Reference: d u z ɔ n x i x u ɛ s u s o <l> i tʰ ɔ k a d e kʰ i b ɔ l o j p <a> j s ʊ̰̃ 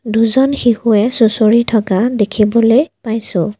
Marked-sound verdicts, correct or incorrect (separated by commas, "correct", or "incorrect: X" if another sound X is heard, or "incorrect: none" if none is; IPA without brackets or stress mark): incorrect: ɹ, correct